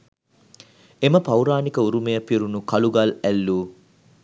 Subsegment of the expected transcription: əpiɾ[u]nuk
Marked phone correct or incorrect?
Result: correct